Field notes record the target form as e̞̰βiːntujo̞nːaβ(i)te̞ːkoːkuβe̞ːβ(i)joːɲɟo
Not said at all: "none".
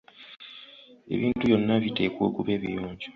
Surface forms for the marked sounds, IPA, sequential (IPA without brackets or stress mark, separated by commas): i, i